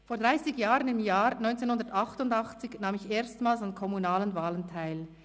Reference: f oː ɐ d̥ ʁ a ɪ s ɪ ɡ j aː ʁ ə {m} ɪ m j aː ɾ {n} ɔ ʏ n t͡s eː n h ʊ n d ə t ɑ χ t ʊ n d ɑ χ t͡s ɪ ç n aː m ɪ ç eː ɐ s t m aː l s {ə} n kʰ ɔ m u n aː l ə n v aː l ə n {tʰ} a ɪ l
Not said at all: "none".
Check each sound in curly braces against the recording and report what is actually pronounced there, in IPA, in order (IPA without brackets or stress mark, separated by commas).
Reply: n, n, a, tʰ